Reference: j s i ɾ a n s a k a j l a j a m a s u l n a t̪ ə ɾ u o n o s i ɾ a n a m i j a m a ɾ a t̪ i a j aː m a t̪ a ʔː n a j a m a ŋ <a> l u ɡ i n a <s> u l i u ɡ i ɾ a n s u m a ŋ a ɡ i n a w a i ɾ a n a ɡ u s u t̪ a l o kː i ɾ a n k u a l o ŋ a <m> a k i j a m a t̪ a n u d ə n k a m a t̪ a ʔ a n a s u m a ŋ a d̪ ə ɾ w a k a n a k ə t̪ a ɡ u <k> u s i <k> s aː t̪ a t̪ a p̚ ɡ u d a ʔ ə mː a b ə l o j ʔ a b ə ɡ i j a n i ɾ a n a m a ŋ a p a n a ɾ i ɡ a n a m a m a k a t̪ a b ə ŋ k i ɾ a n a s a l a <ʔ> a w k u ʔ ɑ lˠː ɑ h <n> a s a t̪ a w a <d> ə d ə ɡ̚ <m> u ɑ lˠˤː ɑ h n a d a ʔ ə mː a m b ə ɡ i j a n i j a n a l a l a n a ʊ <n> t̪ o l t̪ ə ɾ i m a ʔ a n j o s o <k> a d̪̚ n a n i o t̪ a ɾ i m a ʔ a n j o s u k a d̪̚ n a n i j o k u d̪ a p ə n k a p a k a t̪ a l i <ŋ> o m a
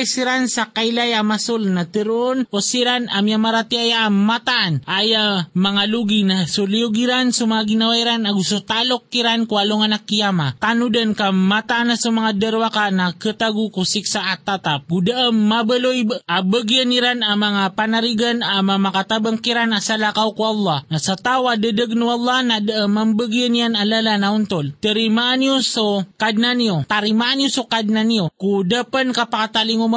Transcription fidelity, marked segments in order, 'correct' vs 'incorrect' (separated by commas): correct, correct, incorrect, correct, correct, incorrect, correct, correct, incorrect, correct, correct, correct